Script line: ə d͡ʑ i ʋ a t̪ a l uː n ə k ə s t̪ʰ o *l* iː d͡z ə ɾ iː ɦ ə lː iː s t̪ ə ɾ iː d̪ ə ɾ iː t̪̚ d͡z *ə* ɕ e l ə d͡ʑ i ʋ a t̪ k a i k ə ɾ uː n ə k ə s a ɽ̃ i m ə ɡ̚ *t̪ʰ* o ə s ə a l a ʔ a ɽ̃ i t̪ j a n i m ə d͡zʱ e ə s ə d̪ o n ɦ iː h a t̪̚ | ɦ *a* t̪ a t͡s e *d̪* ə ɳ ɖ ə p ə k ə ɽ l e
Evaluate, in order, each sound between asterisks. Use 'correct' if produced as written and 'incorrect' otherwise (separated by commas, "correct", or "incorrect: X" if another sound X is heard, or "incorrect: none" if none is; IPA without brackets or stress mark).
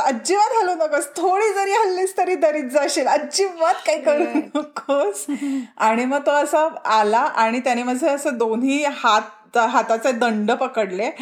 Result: incorrect: ɽ, incorrect: a, incorrect: t̪, correct, correct